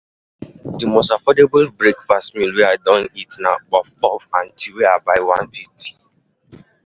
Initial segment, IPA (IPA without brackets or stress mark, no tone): d